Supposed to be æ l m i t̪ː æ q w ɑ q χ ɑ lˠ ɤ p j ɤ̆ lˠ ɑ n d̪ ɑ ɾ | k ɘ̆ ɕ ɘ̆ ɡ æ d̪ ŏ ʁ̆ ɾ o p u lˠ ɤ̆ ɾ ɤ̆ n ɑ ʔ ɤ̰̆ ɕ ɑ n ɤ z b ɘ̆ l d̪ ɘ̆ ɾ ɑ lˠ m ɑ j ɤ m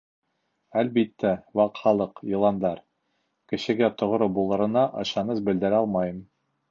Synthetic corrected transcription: æ l b i t̪ː æ w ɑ q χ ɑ lˠ ɤ q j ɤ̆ lˠ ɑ n d̪ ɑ ɾ | k ɘ̆ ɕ ɘ̆ ɡ æ t̪ ŏ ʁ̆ ɾ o b u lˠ ɤ̆ ɾ ɤ̆ n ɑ ʔ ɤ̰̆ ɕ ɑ n ɤ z b ɘ̆ l d̪ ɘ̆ ɾ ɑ lˠ m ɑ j ɤ m

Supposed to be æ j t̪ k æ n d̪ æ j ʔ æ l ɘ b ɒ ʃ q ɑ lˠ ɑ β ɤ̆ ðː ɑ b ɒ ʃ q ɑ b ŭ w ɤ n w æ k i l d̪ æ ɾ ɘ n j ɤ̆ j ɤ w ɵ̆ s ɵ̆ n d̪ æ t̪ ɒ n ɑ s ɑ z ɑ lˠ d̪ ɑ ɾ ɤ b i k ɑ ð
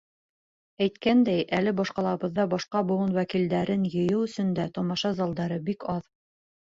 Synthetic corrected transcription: æ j t̪ k æ n d̪ æ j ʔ æ l ɘ b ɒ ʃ q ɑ lˠ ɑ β ɤ̆ ðː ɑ b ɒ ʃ q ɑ b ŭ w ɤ n w æ k i l d̪ æ ɾ ɘ n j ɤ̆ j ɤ w ɵ̆ s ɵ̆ n d̪ æ t̪ ɒ m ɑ ʃ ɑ z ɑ lˠ d̪ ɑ ɾ ɤ b i k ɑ ð

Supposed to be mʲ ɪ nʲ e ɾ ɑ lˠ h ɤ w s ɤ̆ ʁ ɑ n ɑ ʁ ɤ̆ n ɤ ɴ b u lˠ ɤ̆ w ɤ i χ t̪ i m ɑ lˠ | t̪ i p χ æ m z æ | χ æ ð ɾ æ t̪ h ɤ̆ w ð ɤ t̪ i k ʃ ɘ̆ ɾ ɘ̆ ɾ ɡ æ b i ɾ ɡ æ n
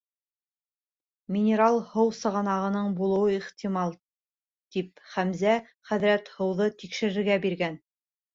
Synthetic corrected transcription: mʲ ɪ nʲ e ɾ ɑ lˠ h ɤ w s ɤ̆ ʁ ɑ n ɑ ʁ ɤ̆ n ɤ ɴ b u lˠ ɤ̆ w ɤ i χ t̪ i m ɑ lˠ | t̪ i p χ æ m z æ | χ æ ð ɾ æ t̪ h ɤ̆ w ð ɤ t̪ i k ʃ ɘ̆ ɾ ɘ̆ ɾ ɡ æ b i ɾ ɡ æ n

